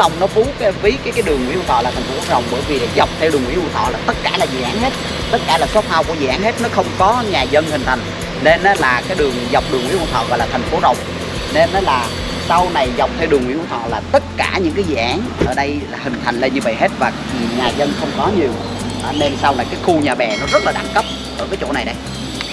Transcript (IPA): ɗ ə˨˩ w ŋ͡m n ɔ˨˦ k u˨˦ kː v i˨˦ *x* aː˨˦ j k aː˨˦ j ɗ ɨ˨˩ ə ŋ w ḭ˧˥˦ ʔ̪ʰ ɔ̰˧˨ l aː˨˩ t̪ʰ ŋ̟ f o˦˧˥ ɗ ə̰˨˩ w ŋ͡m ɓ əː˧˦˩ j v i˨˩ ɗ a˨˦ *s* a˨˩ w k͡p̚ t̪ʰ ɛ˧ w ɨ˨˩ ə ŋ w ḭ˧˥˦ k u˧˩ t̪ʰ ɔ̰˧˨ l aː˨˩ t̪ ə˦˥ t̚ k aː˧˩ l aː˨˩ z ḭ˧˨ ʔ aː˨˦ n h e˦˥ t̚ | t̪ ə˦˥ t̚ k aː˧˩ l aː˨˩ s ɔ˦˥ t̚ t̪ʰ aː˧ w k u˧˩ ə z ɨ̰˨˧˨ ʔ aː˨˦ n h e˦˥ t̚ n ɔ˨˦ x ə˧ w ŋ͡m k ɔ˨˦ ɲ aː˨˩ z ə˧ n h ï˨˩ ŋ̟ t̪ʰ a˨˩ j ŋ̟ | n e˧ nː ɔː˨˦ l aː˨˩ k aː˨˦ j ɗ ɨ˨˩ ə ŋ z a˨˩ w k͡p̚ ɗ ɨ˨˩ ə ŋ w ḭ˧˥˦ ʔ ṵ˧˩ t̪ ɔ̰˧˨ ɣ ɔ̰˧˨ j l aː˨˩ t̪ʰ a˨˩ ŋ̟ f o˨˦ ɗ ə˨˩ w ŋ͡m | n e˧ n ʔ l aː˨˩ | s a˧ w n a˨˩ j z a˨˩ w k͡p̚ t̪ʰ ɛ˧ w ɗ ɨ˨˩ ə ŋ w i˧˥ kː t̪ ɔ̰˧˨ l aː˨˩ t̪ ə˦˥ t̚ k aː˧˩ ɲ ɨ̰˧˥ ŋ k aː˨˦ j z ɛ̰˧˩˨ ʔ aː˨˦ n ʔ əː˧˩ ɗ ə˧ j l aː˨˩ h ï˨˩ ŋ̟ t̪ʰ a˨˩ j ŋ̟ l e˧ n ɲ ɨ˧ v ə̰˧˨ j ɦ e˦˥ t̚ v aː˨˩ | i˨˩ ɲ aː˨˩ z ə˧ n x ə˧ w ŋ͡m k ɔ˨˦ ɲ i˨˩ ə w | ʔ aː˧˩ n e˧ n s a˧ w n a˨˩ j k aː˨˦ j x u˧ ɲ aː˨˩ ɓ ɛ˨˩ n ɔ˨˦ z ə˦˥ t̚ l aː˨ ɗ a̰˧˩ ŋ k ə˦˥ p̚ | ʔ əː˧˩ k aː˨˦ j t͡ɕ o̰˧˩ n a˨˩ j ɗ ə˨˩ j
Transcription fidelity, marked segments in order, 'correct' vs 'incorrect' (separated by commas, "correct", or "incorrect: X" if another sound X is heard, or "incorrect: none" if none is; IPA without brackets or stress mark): incorrect: k, incorrect: z